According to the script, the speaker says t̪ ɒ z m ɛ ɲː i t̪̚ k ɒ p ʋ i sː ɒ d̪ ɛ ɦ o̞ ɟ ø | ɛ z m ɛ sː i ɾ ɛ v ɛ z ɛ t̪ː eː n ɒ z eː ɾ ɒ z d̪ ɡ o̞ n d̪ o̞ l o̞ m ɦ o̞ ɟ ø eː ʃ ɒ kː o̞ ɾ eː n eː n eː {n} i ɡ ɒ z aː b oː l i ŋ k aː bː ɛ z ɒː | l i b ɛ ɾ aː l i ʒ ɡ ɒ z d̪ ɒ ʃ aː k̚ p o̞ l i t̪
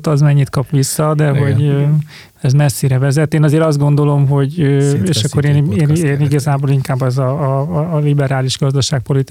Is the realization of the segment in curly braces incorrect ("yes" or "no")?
no